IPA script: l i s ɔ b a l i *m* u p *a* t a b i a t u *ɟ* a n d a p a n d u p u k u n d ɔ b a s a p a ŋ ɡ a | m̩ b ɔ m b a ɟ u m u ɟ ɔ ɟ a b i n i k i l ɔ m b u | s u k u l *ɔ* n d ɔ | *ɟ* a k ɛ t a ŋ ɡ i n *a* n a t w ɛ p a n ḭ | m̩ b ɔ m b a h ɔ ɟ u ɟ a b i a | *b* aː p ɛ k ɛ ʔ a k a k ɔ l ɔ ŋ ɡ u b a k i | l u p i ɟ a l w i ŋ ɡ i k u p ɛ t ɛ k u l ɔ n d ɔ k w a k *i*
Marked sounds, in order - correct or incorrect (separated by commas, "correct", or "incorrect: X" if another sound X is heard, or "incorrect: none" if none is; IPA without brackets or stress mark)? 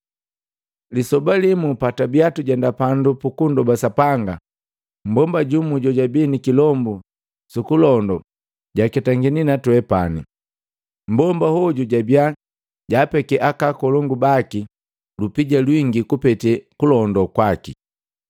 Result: correct, correct, correct, correct, correct, incorrect: i, incorrect: ɟ, correct